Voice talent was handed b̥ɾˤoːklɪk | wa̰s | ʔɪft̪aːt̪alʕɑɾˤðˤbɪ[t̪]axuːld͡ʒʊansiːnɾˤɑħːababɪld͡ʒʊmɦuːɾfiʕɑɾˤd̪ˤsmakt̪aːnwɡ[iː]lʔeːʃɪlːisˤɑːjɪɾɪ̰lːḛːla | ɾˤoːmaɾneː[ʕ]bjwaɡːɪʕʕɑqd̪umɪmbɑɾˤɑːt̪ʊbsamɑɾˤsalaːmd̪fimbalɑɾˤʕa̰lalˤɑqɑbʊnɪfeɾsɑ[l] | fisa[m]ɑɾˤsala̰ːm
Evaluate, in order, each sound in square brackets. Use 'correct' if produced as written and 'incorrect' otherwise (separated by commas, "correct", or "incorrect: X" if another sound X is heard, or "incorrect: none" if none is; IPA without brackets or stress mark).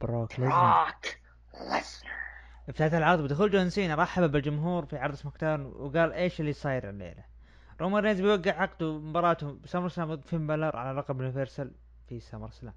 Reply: incorrect: d̪, incorrect: aː, incorrect: z, correct, correct